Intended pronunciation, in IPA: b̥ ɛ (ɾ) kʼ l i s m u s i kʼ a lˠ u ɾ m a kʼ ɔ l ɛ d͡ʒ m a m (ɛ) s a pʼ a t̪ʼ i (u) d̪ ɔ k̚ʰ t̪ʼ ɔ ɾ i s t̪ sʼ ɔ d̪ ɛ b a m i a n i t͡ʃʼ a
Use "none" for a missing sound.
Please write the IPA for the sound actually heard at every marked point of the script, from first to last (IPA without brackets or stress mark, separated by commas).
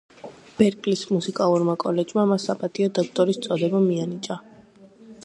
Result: ɾ, a, ɔ